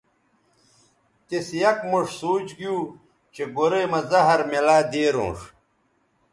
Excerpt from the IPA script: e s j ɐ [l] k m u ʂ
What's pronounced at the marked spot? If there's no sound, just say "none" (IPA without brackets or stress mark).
none